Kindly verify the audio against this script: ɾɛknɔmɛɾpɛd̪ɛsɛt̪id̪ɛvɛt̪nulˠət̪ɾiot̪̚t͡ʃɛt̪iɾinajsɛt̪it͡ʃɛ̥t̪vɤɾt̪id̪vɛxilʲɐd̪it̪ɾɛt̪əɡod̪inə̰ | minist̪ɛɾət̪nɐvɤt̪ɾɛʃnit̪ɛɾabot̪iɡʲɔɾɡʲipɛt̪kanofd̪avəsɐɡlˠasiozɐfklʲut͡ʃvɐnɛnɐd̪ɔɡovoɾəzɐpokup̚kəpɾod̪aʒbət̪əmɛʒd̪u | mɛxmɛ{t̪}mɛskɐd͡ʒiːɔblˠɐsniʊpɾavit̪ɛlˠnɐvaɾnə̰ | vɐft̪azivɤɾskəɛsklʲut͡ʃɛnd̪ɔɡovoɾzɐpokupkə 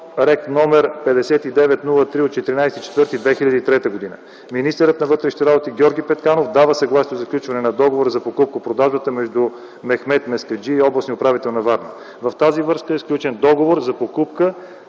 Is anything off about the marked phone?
no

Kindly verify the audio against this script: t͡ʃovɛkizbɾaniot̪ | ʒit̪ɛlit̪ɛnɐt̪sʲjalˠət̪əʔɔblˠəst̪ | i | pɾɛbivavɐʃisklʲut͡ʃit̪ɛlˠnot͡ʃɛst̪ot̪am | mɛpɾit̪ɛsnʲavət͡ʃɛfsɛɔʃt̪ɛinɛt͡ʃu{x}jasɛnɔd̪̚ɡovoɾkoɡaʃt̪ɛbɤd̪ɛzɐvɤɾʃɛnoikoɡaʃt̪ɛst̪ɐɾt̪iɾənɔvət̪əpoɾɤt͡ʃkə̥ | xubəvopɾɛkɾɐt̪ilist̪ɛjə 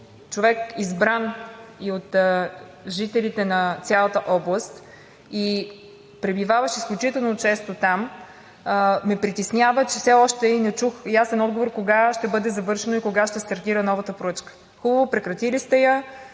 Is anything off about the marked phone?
no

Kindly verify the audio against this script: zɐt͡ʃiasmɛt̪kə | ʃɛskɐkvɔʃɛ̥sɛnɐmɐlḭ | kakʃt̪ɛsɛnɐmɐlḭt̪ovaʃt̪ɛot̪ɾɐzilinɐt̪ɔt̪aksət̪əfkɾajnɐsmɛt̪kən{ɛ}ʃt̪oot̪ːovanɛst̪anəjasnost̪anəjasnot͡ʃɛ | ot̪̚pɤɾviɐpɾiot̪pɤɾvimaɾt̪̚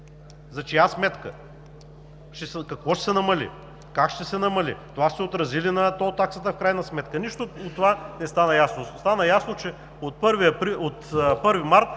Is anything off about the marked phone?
yes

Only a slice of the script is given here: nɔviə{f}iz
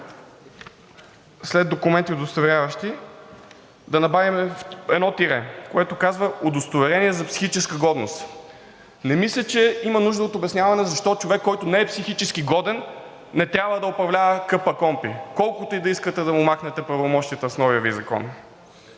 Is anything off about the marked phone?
yes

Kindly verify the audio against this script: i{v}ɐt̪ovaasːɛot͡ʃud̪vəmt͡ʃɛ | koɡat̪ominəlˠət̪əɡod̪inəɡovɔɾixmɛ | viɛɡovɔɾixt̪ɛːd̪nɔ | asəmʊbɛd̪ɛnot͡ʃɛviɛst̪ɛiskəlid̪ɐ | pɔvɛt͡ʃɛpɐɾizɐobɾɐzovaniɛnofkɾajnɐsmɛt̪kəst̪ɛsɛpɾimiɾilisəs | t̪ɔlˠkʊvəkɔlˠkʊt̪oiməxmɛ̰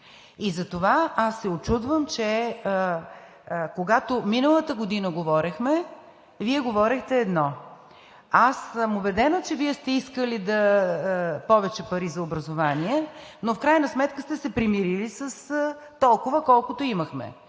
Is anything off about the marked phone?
yes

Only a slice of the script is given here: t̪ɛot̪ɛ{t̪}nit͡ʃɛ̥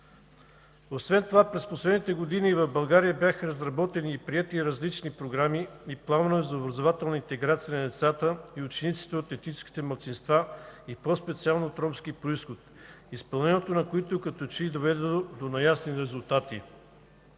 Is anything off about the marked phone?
no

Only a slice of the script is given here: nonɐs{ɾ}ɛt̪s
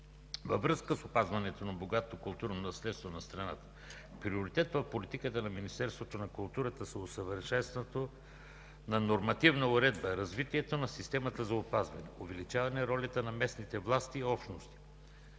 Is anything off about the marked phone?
yes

